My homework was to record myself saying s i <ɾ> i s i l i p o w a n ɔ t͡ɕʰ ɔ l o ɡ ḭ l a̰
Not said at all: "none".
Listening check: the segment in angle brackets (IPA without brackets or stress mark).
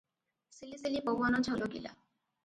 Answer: l